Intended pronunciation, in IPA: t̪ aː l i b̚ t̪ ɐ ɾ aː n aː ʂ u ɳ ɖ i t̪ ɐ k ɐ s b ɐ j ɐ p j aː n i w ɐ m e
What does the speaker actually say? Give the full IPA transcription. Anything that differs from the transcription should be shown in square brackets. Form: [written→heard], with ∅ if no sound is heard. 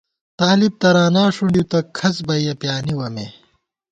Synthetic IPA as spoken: t̪ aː l i b̚ t̪ ɐ ɾ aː n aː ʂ u ɳ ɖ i t̪ ɐ [k→kʰ] ɐ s b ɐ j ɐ p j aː n i w ɐ m e